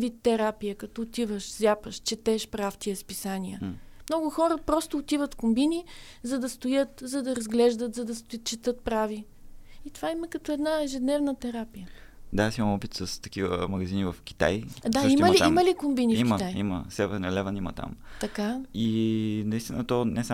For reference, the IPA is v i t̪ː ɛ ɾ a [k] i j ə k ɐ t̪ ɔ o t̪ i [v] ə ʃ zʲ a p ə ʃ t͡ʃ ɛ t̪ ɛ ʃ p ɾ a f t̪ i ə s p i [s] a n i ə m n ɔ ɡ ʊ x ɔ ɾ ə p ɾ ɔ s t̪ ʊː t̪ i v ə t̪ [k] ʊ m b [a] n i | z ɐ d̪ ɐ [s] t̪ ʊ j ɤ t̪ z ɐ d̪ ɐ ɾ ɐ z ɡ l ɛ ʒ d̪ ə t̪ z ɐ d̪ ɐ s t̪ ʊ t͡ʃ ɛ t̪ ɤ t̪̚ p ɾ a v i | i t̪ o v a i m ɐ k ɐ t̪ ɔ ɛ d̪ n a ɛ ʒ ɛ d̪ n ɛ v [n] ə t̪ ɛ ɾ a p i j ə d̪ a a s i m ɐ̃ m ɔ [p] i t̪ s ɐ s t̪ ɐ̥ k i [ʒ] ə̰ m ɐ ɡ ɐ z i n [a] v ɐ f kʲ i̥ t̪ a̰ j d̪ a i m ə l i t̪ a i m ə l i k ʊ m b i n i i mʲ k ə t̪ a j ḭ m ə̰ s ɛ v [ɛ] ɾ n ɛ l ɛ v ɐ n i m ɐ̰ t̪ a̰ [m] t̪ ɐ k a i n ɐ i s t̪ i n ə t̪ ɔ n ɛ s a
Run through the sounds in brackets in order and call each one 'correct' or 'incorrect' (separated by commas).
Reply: incorrect, correct, correct, correct, incorrect, correct, correct, correct, incorrect, incorrect, correct, correct